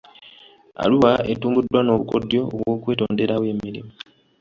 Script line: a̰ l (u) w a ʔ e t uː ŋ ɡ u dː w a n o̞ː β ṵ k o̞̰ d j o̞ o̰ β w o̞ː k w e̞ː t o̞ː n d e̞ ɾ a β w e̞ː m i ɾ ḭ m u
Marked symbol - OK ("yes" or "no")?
yes